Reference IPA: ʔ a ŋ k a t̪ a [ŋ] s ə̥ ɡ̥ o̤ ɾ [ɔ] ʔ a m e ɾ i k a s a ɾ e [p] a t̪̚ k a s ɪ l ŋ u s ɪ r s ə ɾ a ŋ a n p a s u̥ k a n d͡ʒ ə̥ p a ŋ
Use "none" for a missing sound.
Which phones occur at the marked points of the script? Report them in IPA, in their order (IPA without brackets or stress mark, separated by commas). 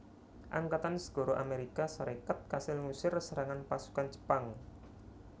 n, o, k